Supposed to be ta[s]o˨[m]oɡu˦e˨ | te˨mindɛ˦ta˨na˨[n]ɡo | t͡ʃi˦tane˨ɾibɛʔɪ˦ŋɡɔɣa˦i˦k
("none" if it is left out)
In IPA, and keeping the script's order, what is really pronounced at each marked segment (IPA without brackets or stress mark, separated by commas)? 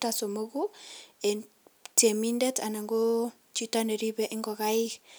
s, m, ŋ